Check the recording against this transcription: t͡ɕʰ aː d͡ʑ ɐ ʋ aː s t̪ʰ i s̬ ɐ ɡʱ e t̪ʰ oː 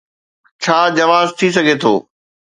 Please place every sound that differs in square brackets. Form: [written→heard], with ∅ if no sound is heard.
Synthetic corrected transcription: t͡ɕʰ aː d͡ʑ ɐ ʋ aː [s→z] t̪ʰ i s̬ ɐ ɡʱ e t̪ʰ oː